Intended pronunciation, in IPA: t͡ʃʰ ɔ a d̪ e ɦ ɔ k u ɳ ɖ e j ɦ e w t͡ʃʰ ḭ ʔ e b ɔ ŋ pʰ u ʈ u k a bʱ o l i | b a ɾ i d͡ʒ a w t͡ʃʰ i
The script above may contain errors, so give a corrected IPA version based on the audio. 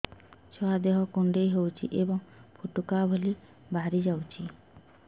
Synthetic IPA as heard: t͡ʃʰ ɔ a d̪ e ɦ ɔ k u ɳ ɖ e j ɦ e w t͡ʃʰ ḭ ʔ e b ɔ ŋ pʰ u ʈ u k a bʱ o l i | b a ɾ i d͡ʒ a w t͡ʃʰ i